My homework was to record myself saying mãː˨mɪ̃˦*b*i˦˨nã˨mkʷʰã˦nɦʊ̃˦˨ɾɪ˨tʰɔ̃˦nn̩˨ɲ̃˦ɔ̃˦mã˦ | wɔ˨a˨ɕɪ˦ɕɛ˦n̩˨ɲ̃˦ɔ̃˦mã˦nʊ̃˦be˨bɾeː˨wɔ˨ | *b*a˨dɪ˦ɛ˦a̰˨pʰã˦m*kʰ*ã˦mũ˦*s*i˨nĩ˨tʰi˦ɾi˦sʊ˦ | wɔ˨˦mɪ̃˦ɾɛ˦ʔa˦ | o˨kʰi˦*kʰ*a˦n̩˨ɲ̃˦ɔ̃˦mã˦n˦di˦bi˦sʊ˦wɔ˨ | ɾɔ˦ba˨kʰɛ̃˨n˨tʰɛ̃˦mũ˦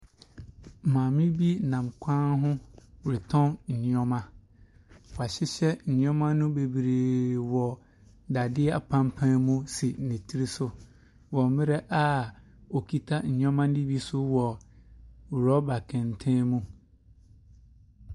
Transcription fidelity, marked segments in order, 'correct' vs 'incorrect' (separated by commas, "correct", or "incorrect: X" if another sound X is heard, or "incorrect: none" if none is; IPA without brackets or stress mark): correct, incorrect: d, incorrect: pʰ, correct, incorrect: tʰ